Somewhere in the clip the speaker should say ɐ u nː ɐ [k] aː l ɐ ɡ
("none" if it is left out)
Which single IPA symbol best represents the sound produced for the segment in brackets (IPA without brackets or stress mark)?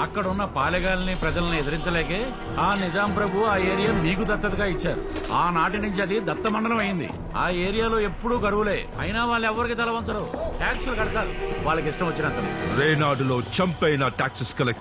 p